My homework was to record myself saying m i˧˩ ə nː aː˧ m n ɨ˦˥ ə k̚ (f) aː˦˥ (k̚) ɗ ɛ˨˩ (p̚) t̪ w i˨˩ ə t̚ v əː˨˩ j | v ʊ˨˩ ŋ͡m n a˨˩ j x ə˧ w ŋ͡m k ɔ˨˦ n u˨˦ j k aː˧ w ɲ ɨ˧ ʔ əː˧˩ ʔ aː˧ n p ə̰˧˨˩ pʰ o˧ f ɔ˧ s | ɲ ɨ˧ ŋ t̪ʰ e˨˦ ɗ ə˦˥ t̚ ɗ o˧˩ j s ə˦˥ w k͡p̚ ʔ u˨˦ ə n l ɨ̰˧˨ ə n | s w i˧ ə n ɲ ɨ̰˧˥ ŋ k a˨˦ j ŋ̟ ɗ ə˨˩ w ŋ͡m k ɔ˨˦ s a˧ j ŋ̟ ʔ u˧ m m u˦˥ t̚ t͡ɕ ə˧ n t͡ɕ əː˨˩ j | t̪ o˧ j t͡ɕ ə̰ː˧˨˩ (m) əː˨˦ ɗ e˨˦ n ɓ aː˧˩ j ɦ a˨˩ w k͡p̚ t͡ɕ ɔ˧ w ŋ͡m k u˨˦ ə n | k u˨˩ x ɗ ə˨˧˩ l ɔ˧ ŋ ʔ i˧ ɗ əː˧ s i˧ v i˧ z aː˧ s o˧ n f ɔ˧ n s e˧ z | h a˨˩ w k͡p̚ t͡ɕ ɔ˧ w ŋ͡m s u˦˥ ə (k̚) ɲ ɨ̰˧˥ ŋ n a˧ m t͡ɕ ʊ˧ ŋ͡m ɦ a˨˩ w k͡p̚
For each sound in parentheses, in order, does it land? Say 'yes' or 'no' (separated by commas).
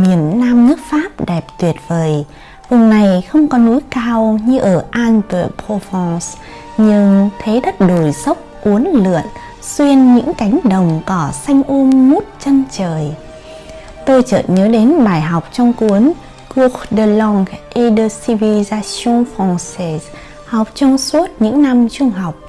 yes, no, yes, no, no